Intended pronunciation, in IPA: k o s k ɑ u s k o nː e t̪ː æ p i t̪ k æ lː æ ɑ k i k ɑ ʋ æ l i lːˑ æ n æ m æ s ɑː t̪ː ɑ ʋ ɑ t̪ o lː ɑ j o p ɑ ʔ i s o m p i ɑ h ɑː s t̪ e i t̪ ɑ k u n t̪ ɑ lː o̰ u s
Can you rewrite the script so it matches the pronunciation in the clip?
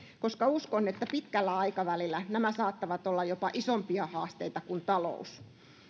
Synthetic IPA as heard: k o s k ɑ u s k o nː e t̪ː æ p i t̪ k æ lː æ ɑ i k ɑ ʋ æ l i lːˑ æ n æ m æ s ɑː t̪ː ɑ ʋ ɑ t̪ o lː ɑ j o p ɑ ʔ i s o m p i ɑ h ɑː s t̪ e i t̪ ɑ k u n t̪ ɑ l o̰ u s